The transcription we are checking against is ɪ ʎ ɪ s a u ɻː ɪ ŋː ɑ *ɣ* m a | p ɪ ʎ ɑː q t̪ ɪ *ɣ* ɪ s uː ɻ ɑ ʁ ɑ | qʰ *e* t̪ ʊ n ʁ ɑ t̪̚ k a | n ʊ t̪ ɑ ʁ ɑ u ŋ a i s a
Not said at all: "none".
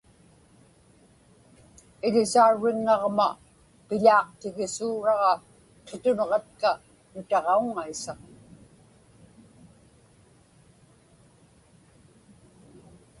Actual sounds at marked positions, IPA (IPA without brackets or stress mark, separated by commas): ʁ, ɣ, e